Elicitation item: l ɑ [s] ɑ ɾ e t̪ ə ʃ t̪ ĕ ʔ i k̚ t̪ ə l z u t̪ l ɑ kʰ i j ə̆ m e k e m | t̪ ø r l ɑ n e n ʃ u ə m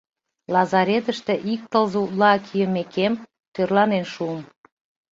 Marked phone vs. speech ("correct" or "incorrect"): incorrect